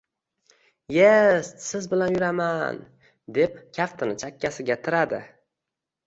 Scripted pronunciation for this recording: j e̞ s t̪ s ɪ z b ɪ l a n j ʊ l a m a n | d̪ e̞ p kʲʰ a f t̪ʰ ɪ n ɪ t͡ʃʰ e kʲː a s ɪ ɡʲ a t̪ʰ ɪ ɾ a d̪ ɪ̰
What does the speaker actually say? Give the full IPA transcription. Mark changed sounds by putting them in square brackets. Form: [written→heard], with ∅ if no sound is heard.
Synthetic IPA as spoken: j e̞ s t̪ s ɪ z b ɪ l a n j ʊ [l→ɾ] a m a n | d̪ e̞ p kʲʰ a f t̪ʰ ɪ n ɪ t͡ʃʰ [e→a] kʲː a s ɪ ɡʲ a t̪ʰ ɪ ɾ a d̪ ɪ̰